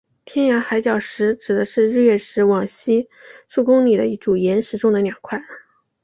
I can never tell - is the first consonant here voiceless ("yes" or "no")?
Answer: yes